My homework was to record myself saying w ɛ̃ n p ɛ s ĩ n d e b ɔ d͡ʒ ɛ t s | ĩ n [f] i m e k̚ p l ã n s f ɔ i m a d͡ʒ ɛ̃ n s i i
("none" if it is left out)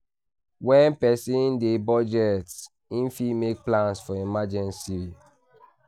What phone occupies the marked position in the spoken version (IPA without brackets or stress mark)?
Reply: f